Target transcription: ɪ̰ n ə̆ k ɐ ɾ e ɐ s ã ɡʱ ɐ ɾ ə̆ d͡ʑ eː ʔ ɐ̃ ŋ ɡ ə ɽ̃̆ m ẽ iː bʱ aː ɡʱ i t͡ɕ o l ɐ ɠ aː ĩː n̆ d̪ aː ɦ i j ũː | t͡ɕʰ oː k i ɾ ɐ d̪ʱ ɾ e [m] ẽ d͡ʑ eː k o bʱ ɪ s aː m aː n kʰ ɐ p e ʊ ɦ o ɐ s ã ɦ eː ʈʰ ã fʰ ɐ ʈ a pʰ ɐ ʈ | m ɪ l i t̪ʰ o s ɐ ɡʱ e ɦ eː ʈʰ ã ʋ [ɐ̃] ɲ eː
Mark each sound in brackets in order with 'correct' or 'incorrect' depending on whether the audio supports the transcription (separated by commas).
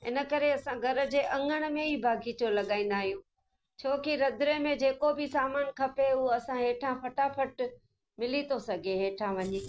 correct, incorrect